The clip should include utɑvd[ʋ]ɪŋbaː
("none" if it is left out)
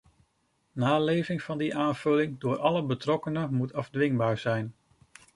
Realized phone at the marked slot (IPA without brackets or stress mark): ʋ